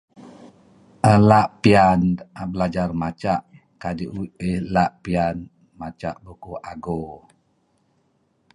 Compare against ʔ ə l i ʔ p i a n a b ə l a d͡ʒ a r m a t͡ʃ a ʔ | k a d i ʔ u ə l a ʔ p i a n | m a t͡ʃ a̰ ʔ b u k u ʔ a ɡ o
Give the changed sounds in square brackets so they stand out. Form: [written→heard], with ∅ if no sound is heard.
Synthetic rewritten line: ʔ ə l [i→a] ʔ p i a n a b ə l a d͡ʒ a r m a t͡ʃ a ʔ | k a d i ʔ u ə l a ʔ p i a n | m a t͡ʃ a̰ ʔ b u k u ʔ a ɡ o